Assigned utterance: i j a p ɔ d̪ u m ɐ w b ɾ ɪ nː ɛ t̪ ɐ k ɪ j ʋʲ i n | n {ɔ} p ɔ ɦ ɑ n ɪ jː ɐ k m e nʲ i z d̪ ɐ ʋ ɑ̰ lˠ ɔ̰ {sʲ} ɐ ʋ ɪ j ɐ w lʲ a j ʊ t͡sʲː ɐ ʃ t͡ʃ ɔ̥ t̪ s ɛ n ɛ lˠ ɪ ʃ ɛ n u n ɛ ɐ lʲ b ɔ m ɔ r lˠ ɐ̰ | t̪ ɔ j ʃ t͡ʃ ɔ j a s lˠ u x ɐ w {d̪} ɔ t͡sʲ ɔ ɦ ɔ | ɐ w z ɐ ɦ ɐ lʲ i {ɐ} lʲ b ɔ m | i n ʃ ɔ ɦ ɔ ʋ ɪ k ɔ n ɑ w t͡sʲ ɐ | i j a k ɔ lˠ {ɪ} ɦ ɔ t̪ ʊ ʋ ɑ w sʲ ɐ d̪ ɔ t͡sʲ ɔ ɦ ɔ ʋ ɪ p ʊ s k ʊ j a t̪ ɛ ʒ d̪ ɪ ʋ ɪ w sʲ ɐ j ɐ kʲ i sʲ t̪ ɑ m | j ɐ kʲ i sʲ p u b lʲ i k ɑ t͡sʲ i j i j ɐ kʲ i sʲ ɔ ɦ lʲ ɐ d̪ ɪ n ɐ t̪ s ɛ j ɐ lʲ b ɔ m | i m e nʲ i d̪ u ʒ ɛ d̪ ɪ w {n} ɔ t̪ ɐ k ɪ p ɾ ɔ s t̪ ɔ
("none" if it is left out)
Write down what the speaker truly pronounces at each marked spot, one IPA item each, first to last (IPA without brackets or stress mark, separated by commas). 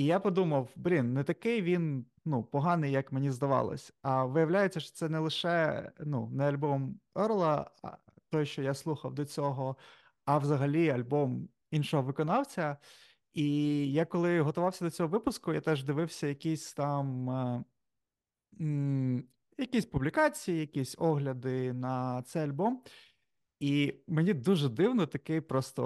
u, sʲ, d̪, ɐ, ɪ, n